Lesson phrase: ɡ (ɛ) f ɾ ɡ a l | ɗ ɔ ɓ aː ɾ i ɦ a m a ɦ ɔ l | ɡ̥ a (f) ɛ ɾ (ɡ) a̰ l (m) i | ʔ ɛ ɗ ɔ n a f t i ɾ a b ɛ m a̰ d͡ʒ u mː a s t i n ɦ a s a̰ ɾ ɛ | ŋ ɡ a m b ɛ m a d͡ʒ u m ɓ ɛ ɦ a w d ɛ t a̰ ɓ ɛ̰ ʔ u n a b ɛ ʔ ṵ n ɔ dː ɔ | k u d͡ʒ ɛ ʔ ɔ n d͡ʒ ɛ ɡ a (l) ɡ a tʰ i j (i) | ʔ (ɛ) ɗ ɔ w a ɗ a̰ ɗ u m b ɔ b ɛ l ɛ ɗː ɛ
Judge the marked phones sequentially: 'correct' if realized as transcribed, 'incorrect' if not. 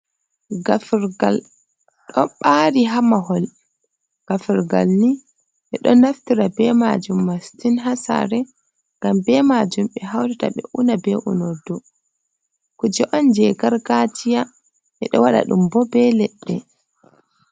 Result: incorrect, correct, correct, incorrect, incorrect, incorrect, correct

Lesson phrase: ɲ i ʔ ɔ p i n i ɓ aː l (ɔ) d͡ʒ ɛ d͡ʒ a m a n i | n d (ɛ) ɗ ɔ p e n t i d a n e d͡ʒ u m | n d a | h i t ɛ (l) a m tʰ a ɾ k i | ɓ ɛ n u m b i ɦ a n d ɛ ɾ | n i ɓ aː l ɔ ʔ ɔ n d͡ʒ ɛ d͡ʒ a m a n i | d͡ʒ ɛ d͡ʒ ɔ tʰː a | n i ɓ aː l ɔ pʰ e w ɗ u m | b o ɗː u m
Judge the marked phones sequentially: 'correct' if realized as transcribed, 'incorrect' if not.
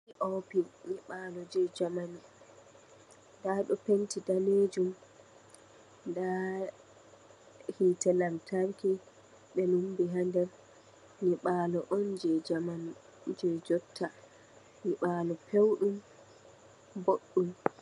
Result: correct, incorrect, correct

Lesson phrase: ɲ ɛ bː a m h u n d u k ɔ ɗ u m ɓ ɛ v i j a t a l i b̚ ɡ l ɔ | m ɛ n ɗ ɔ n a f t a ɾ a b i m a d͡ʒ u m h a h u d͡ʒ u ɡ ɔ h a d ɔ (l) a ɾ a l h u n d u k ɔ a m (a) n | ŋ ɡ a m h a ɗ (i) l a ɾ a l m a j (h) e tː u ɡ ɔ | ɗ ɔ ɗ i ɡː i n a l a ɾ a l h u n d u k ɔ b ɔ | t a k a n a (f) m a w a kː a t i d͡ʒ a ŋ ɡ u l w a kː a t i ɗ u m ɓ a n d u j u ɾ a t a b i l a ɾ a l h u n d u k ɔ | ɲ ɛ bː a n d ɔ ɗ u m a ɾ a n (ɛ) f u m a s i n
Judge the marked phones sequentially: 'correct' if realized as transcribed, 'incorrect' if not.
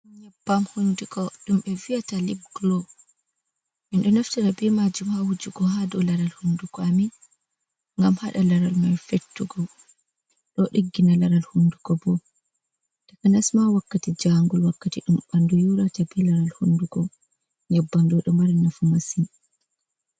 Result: correct, incorrect, incorrect, incorrect, incorrect, incorrect

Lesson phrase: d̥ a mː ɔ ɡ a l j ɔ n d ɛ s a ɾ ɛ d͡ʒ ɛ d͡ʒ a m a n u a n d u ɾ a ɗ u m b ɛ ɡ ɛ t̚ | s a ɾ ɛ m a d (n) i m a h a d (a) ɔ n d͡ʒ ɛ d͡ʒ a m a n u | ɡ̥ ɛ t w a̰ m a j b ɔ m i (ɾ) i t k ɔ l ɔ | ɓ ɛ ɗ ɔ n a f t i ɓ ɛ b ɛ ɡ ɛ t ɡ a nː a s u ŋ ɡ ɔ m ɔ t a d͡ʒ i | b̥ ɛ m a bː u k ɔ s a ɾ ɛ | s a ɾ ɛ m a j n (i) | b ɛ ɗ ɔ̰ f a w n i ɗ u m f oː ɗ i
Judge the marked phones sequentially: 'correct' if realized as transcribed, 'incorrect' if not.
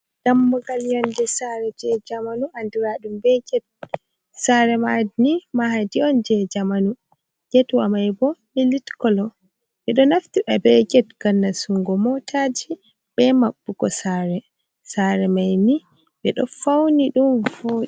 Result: correct, incorrect, incorrect, correct

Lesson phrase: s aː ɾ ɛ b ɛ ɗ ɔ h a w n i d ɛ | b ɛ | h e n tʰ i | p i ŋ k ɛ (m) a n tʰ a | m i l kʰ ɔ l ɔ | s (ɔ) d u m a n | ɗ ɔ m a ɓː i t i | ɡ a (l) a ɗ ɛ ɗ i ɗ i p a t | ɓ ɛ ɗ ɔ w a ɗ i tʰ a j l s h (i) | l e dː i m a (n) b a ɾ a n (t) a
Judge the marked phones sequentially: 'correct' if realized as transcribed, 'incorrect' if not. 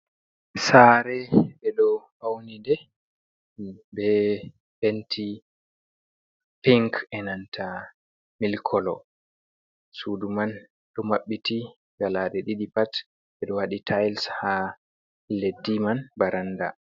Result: incorrect, incorrect, correct, incorrect, correct, incorrect

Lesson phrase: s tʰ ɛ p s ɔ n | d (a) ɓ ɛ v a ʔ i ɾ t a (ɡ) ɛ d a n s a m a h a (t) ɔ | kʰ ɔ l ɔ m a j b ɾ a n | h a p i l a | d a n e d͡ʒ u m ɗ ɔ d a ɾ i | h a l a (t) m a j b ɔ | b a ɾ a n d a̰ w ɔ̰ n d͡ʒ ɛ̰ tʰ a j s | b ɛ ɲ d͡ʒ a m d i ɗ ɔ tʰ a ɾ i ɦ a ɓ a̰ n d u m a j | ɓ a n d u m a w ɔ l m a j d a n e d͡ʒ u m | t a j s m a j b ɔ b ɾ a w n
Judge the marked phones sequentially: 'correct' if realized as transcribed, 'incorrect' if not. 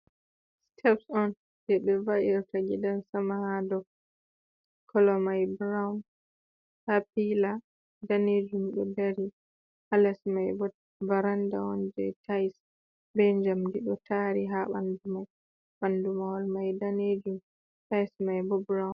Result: incorrect, correct, incorrect, incorrect

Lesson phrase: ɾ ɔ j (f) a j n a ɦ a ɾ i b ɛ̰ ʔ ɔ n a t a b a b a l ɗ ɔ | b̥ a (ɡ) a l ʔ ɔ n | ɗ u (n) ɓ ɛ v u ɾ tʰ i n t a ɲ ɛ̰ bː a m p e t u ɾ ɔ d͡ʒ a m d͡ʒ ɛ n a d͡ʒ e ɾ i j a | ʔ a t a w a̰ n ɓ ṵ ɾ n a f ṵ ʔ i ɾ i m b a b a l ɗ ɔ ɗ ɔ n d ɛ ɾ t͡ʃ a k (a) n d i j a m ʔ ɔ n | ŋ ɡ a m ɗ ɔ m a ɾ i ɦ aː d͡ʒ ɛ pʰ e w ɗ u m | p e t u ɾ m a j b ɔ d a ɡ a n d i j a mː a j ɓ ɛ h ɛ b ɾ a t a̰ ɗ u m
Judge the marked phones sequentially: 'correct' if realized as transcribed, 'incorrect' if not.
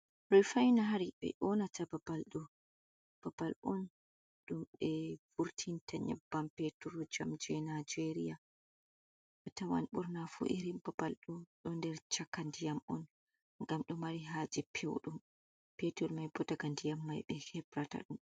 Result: correct, incorrect, incorrect, correct

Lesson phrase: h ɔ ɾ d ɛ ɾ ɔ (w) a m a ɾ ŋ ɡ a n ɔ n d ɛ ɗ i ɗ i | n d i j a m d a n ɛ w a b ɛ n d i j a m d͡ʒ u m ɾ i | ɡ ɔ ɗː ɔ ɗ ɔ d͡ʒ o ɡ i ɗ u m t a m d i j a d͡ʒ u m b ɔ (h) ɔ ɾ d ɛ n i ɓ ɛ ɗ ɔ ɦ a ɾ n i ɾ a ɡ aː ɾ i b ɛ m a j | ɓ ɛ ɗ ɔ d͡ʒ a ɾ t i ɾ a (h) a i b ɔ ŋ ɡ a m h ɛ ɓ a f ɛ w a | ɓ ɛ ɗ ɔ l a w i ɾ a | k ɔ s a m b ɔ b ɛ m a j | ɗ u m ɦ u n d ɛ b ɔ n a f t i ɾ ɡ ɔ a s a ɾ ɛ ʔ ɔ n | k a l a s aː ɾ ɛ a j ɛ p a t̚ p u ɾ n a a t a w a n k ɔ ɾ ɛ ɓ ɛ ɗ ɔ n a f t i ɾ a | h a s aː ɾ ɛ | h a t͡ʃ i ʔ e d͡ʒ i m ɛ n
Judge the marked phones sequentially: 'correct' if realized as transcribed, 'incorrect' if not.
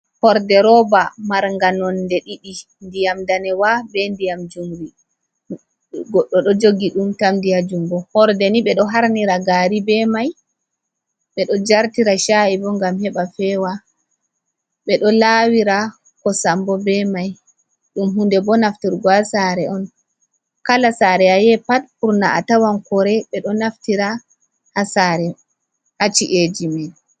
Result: incorrect, correct, incorrect

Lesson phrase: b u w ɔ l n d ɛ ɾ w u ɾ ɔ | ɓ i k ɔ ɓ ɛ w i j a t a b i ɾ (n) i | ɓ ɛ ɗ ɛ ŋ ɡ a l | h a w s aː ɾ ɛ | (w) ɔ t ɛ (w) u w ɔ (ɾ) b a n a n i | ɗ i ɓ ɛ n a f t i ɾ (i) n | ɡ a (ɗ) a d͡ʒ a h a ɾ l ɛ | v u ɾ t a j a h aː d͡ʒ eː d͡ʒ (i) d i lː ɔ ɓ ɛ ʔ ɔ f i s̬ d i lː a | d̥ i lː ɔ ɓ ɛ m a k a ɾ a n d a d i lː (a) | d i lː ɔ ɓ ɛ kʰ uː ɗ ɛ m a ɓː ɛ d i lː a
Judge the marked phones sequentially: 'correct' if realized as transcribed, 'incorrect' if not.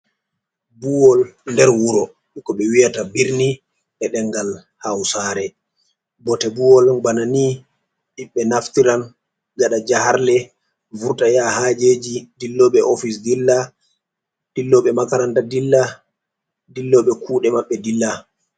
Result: correct, incorrect, incorrect, incorrect, incorrect, correct, correct, correct

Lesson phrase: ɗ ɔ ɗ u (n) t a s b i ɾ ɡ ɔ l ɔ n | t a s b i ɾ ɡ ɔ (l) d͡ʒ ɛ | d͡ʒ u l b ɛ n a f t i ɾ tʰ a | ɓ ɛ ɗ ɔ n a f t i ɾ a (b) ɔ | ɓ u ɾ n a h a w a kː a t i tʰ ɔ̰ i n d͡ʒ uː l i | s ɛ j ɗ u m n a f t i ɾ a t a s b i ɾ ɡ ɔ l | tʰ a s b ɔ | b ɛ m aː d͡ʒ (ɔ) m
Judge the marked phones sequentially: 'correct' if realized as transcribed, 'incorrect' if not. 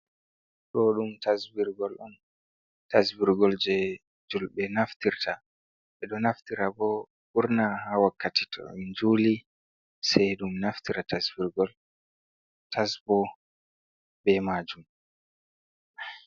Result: incorrect, correct, correct, incorrect

